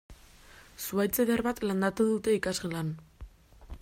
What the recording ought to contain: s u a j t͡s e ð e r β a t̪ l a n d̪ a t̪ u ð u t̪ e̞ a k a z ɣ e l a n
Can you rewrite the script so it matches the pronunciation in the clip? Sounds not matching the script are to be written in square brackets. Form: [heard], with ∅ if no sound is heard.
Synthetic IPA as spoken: s u a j t͡s e ð e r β a t̪ l a n d̪ a t̪ u ð u t̪ e̞ [i] k a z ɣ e l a n